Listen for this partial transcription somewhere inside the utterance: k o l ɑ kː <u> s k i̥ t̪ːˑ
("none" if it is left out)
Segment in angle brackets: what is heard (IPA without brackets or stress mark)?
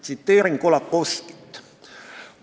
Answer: o